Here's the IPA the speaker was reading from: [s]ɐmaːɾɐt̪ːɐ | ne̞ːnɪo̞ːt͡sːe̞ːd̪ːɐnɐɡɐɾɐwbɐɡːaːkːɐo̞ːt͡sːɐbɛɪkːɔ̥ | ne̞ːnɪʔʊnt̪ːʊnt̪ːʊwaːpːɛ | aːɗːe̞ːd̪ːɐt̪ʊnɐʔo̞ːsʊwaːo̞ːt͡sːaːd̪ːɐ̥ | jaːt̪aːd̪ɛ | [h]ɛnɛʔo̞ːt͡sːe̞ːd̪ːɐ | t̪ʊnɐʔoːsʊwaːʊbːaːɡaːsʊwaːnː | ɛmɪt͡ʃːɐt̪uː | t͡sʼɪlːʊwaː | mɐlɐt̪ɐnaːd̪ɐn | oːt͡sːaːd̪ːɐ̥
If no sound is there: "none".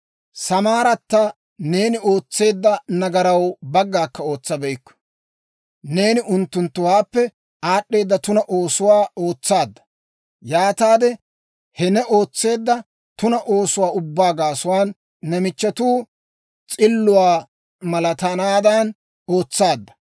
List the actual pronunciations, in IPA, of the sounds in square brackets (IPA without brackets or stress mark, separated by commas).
s, h